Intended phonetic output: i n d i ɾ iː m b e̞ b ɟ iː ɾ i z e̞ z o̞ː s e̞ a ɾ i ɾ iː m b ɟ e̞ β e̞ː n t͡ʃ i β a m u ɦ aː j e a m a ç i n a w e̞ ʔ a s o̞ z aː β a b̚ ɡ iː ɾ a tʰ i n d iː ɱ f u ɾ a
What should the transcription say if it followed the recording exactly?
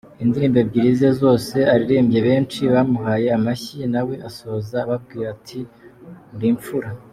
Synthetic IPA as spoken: i n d i ɾ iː m b e̞ b ɟ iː ɾ i z e̞ z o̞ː s e̞ a ɾ i ɾ iː m b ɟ e̞ β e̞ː n t͡ʃ i β a m u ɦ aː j e a m a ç i n a w e̞ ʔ a s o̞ z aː β a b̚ ɡ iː ɾ a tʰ i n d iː ɱ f u ɾ a